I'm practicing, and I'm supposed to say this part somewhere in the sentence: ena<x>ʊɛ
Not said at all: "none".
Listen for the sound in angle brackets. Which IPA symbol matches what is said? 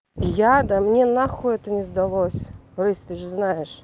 x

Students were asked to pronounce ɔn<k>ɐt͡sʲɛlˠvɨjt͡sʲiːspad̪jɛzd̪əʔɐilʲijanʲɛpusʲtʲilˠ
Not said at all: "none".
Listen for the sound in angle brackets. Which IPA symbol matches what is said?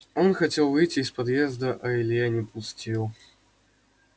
x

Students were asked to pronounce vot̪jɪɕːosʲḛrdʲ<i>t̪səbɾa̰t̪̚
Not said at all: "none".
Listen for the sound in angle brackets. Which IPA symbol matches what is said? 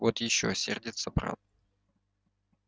ɪ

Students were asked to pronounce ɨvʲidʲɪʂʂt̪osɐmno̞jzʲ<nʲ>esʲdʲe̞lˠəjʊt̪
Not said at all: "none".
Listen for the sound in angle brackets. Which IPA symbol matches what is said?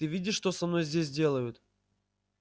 dʲ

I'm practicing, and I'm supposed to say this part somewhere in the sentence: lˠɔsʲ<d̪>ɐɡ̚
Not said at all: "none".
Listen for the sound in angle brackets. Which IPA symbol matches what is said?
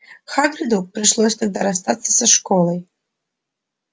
t̪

